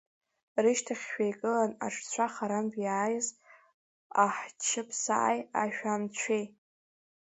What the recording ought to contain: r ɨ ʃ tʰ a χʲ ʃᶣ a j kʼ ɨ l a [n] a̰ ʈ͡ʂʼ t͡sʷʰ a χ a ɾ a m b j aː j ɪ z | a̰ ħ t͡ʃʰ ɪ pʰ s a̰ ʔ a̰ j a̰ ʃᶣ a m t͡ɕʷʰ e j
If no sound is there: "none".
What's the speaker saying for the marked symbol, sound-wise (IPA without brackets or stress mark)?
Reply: n